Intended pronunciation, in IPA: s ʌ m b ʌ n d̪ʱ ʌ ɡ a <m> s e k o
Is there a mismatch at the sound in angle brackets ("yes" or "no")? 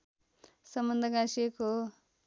yes